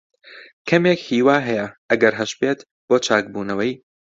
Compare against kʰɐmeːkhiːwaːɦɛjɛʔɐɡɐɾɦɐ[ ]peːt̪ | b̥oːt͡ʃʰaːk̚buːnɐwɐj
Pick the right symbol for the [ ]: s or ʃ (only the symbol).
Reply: ʃ